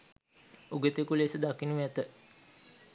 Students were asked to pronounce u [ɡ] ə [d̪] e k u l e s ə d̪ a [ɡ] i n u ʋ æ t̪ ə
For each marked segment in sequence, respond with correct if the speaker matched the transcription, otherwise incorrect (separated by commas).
correct, incorrect, incorrect